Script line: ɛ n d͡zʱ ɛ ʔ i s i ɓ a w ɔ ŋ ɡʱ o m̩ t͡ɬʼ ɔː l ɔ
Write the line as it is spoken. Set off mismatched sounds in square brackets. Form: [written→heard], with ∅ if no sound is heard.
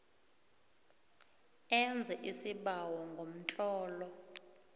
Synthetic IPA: ɛ n d͡zʱ ɛ ʔ i s i ɓ a w ɔ ŋ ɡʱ o m̩ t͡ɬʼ ɔː l ɔ